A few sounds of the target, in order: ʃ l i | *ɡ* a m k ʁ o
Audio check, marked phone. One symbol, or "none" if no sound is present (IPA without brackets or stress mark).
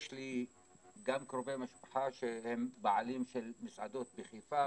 ɡ